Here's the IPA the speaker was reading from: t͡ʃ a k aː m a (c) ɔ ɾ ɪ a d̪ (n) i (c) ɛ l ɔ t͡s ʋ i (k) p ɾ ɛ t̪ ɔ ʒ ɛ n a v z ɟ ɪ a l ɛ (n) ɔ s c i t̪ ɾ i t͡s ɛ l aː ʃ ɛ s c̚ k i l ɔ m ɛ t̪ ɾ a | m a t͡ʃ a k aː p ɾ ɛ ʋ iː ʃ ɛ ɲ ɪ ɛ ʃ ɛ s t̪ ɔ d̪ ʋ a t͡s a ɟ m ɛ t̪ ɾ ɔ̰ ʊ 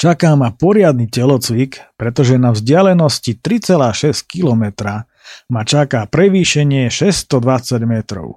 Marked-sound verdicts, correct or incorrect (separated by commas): incorrect, correct, correct, correct, correct